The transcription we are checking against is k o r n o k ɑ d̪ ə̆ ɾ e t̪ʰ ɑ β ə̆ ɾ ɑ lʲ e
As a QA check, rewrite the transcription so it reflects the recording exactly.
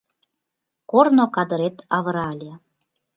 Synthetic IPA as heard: k o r n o k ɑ d̪ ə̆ ɾ e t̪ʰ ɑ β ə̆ ɾ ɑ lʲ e